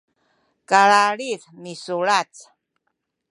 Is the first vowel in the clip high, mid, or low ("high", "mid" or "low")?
low